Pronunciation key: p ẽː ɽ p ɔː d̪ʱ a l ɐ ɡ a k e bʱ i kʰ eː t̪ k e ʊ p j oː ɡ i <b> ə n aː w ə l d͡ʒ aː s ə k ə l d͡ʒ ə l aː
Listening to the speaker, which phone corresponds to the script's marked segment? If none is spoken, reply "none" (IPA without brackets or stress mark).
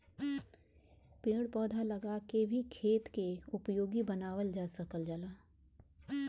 b